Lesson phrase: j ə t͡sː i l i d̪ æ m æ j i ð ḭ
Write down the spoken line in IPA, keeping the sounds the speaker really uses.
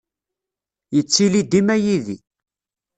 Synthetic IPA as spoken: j ə t͡sː i l i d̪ i m æ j i ð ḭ